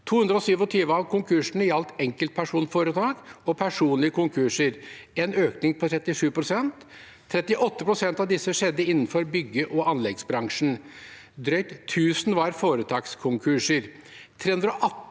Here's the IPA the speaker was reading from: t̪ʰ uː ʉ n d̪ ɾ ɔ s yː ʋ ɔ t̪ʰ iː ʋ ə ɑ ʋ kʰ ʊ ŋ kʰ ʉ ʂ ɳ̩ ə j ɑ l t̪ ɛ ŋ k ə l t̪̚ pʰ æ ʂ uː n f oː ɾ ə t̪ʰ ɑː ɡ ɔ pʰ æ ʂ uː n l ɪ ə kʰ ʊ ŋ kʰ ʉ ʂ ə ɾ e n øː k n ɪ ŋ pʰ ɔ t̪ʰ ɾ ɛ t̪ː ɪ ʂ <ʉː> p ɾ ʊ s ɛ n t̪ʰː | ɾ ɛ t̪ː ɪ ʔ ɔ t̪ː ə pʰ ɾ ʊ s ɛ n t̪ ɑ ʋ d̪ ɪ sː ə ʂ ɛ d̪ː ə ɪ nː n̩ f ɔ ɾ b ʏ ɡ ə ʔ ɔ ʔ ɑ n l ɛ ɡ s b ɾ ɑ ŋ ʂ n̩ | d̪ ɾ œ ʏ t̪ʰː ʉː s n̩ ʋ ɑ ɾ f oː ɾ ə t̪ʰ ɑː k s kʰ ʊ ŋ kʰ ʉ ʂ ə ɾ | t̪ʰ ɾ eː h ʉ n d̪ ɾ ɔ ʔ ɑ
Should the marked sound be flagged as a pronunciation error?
no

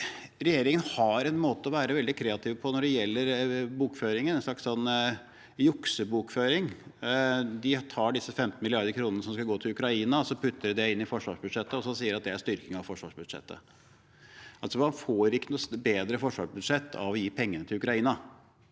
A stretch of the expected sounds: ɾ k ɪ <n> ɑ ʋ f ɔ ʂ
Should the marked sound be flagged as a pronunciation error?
yes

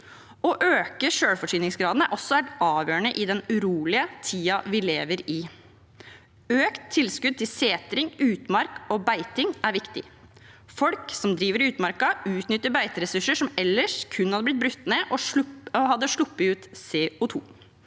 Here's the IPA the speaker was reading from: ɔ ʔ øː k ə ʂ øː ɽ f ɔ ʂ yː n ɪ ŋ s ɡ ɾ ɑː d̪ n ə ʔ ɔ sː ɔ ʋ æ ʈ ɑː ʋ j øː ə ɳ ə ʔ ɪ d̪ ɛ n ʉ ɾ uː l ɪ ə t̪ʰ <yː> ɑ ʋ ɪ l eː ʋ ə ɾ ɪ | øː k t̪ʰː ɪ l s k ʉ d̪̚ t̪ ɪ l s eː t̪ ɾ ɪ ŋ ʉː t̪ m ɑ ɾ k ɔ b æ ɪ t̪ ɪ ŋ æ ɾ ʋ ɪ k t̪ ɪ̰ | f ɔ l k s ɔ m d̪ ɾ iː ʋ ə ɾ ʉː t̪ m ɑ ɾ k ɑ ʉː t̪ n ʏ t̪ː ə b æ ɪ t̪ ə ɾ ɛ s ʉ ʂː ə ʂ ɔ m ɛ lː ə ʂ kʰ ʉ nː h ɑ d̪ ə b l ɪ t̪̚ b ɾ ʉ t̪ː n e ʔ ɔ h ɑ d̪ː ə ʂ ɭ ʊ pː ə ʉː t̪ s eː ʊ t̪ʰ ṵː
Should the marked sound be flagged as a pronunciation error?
yes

